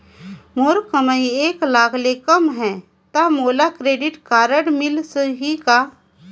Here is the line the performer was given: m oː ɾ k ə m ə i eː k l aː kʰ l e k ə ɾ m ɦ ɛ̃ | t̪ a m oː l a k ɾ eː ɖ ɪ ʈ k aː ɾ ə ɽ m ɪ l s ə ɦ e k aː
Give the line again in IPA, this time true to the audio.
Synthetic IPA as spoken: m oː ɾ k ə m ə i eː k l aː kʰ l e k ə m ɦ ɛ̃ | t̪ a m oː l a k ɾ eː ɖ ɪ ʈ k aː ɾ ə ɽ m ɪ l s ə ɦ i k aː